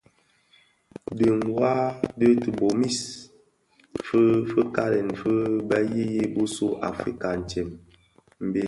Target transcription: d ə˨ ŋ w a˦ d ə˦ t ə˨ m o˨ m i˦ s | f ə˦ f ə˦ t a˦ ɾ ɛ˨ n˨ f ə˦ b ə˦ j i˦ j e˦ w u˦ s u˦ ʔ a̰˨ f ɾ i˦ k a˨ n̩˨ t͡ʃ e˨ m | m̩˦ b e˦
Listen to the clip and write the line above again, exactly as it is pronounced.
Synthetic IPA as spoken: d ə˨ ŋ w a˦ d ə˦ t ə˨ b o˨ m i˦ s | f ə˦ f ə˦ k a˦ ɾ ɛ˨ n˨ f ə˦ b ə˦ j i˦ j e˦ b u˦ s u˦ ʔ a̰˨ f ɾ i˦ k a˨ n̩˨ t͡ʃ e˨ m | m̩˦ b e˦